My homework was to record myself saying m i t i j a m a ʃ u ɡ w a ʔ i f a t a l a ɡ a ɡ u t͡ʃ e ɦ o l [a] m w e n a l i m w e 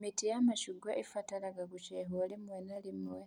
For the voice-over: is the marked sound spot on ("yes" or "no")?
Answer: no